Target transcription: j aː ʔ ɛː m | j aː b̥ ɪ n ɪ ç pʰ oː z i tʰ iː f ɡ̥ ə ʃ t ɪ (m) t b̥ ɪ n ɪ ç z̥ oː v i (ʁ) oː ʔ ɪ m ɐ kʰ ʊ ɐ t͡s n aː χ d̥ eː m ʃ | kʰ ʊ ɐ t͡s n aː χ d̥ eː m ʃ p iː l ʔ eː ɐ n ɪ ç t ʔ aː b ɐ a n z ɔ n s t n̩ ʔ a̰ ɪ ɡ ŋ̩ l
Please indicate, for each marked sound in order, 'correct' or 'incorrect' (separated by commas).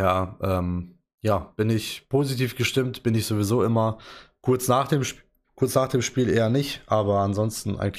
correct, incorrect